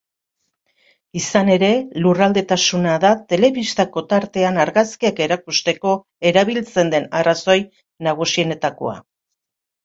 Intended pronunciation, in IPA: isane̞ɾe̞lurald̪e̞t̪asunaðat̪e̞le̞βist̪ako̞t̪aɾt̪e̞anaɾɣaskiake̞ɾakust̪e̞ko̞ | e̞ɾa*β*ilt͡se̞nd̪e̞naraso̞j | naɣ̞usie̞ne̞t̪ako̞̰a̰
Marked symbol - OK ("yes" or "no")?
yes